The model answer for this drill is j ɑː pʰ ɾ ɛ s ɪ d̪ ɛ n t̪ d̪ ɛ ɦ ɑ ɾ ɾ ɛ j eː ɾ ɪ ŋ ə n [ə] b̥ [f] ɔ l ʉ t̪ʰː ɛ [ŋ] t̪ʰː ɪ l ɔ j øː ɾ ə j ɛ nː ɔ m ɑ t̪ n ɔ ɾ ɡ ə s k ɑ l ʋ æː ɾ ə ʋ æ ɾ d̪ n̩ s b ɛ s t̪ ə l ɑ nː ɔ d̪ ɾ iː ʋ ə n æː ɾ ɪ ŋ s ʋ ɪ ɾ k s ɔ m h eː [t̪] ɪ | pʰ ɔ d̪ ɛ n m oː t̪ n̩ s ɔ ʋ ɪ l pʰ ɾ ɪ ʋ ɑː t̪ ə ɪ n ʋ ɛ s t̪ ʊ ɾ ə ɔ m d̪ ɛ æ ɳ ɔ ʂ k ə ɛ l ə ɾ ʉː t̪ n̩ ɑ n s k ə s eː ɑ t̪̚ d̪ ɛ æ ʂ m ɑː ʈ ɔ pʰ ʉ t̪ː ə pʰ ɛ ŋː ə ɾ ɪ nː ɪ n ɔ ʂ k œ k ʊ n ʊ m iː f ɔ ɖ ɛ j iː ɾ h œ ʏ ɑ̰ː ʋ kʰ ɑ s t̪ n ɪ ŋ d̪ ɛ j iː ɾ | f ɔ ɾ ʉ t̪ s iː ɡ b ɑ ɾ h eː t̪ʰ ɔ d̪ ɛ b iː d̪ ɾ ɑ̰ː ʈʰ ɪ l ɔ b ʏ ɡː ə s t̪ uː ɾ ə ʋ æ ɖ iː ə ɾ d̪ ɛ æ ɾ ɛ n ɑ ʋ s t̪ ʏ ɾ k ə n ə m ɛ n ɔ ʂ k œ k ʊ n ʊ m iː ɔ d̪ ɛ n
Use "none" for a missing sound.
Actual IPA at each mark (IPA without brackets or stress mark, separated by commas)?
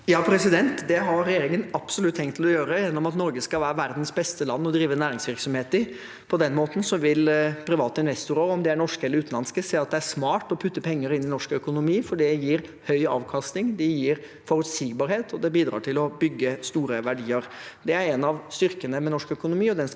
ɑ, s, ŋ, t̪